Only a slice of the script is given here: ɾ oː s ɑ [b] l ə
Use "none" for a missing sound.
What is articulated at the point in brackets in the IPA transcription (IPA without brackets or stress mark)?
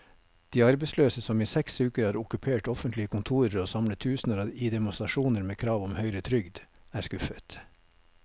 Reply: m